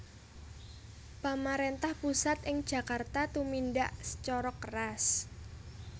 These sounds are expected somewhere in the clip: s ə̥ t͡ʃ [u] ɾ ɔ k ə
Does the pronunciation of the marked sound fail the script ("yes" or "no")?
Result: yes